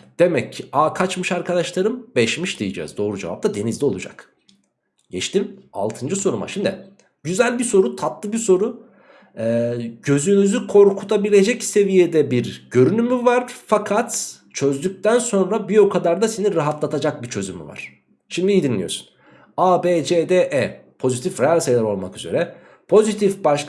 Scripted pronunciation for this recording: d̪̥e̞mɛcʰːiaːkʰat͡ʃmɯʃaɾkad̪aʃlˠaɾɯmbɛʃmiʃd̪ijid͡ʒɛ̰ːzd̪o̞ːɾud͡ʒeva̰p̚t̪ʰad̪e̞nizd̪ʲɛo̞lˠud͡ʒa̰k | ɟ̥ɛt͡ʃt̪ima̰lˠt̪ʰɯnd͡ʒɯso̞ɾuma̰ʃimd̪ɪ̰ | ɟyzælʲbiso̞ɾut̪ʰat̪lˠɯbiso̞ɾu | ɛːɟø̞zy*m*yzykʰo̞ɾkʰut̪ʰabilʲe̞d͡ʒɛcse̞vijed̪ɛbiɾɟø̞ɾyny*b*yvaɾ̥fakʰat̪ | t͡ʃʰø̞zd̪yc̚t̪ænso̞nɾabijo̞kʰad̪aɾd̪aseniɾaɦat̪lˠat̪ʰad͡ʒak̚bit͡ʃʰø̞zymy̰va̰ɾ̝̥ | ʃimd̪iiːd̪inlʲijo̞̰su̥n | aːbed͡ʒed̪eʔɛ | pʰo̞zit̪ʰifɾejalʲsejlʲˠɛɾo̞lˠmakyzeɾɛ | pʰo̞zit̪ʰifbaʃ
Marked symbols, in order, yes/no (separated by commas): no, no